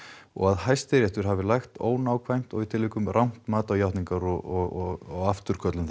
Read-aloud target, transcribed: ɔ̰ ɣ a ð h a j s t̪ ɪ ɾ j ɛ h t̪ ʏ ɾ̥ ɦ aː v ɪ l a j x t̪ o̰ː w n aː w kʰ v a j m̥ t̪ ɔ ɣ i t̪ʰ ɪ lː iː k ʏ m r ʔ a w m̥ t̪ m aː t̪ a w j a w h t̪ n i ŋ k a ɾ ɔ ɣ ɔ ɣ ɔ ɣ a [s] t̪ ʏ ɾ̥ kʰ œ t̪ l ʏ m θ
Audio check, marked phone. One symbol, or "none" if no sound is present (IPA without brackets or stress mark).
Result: f